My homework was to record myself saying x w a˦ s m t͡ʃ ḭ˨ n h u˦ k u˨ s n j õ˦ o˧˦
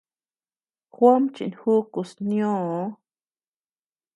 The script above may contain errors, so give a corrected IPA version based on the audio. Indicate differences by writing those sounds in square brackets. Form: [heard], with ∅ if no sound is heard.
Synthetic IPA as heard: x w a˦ [∅] m t͡ʃ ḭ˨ n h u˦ k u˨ s n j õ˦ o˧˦